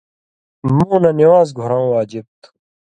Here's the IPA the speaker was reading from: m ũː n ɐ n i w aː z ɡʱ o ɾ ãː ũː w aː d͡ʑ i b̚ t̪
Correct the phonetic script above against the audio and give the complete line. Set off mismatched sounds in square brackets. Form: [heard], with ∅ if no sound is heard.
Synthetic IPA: m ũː n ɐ n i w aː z ɡʱ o ɾ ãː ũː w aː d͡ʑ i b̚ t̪